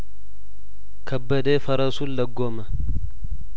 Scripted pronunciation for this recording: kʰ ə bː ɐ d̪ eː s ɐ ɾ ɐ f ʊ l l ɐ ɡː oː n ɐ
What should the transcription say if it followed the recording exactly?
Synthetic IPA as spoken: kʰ ɐ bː ɐ d̪ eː f ɐ ɾ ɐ s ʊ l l ɐ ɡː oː m ɐ